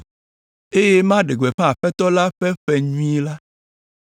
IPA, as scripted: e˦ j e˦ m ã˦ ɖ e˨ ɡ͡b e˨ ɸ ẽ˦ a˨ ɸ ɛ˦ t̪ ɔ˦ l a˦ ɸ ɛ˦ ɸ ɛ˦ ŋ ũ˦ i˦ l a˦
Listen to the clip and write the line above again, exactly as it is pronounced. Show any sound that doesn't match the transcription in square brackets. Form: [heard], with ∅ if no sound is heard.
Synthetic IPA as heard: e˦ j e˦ m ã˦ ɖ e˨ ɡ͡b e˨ ɸ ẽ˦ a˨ ɸ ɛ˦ t̪ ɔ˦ l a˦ ɸ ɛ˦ ɸ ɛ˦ [ɲ] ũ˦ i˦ l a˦